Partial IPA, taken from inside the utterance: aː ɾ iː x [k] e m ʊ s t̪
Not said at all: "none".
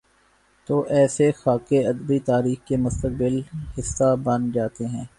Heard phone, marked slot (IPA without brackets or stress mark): k